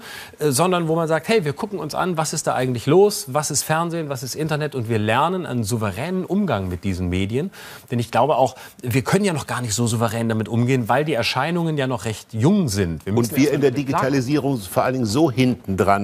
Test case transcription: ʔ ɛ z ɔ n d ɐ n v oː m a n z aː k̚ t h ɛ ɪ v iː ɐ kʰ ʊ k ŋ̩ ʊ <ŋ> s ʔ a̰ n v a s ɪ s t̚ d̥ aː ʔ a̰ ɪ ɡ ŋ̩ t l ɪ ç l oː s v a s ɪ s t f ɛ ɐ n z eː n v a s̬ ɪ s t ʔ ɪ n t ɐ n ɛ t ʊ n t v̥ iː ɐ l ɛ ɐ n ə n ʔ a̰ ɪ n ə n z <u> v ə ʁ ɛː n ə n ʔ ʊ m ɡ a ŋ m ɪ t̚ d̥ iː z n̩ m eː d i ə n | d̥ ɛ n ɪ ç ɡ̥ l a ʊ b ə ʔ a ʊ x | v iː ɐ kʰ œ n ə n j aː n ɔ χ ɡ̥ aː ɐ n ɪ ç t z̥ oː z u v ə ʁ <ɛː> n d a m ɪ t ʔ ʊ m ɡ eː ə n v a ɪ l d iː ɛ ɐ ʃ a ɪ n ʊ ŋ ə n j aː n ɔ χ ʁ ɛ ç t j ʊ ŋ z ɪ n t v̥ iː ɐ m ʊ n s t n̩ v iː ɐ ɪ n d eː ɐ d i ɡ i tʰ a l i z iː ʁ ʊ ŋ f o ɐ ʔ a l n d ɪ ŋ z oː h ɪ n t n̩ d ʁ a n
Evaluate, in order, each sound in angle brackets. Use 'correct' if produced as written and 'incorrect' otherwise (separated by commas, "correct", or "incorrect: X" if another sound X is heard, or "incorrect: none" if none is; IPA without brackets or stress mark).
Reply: incorrect: n, correct, correct